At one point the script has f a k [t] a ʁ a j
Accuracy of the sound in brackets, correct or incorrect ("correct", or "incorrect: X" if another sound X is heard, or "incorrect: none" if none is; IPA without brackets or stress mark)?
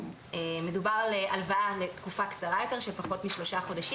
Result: incorrect: t͡s